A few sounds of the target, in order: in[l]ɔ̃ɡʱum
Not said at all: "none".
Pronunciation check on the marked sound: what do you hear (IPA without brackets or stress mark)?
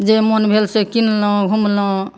l